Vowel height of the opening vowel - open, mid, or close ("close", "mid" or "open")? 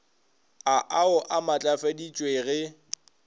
open